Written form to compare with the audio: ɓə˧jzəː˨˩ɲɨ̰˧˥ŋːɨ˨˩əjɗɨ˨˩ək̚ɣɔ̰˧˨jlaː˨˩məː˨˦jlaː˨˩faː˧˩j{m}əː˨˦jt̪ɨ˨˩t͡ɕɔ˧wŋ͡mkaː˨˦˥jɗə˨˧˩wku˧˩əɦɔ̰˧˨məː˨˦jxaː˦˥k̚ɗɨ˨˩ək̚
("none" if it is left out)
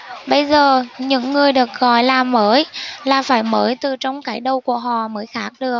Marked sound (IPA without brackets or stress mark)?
m